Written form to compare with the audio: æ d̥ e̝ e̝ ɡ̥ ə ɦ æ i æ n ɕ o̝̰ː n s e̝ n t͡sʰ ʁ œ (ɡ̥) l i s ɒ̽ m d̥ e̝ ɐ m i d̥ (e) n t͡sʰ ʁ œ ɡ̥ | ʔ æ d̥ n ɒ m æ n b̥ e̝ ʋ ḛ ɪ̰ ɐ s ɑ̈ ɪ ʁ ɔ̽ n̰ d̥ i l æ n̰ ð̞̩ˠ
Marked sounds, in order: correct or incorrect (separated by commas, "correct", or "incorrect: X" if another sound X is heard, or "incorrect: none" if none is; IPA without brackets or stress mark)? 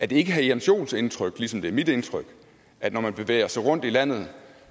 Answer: correct, correct